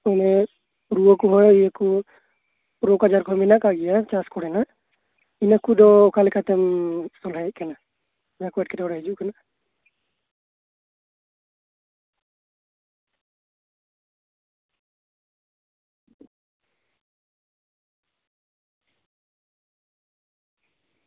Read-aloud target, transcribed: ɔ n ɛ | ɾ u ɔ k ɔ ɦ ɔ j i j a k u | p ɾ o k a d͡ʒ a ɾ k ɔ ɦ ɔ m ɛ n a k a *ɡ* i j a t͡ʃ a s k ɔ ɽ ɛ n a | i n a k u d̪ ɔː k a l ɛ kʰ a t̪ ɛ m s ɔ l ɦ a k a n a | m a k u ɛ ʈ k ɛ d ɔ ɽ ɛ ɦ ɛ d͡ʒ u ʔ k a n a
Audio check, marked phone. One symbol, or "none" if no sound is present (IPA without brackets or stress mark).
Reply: ɡ